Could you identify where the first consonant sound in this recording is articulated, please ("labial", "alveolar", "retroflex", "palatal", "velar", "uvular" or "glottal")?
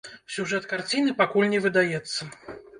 alveolar